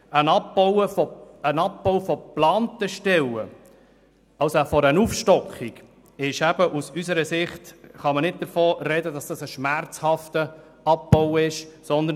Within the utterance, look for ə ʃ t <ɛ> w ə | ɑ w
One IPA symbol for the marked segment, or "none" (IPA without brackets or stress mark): ɛ